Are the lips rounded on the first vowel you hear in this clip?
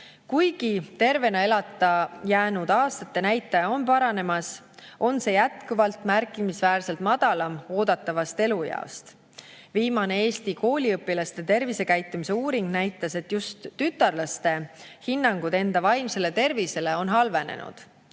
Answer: yes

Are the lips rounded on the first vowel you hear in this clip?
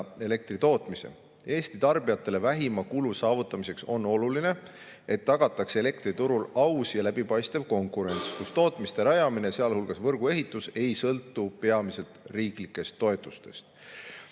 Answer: no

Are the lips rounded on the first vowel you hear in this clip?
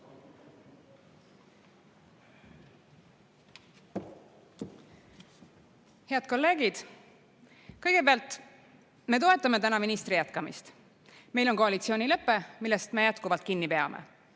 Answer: no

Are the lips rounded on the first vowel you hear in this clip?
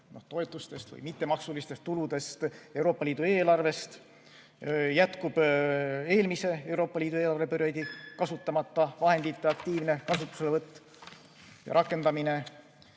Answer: yes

